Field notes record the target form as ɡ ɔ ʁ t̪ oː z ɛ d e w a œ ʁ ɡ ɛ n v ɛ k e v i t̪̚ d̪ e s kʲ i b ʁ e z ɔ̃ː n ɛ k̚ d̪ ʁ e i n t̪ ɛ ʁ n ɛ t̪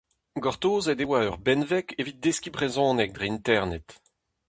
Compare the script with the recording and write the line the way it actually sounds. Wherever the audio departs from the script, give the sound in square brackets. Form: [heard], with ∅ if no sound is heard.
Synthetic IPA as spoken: ɡ ɔ ʁ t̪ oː z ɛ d e w a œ ʁ [b] ɛ n v ɛ k e v i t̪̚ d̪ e s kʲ i b ʁ e z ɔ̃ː n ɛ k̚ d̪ ʁ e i n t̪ ɛ ʁ n ɛ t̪